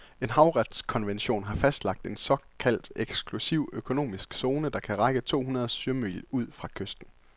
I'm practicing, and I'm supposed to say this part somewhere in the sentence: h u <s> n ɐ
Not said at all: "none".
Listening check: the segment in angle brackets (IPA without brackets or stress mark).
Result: none